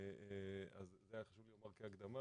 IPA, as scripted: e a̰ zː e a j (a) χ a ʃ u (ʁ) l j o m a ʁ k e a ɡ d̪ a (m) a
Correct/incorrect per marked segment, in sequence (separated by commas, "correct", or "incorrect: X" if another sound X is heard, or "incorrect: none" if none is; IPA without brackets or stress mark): correct, incorrect: v, correct